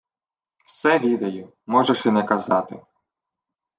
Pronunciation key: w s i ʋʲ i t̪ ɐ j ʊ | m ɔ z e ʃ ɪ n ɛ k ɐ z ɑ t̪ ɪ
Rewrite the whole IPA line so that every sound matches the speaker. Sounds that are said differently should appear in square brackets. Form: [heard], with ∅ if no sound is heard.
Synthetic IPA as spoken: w s [ɛ] ʋʲ i [d̪] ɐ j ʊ | m ɔ [ʒ] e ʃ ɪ n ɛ k ɐ z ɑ t̪ ɪ